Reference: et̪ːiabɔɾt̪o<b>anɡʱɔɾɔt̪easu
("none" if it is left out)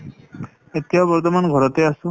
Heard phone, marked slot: m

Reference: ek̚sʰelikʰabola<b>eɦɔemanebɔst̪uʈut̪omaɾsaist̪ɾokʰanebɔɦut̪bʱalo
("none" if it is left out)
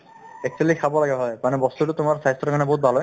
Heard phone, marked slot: ɡ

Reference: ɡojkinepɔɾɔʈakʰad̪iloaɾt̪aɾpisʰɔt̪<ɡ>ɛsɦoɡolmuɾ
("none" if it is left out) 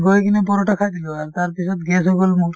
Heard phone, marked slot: ɡ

